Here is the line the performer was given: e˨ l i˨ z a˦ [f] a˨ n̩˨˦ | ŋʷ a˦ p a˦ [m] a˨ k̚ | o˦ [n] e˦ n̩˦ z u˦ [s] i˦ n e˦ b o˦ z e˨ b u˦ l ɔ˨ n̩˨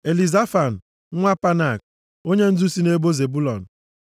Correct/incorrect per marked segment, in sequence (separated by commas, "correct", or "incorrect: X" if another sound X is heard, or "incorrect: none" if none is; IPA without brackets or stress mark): correct, incorrect: n, incorrect: ɲ, correct